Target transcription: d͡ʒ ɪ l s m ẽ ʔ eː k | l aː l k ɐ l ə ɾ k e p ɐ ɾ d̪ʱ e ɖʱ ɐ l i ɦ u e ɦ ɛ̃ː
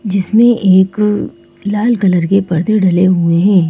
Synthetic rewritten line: d͡ʒ ɪ s m ẽ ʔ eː k | l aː l k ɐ l ə ɾ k e p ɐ ɾ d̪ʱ e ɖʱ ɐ l e ɦ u e ɦ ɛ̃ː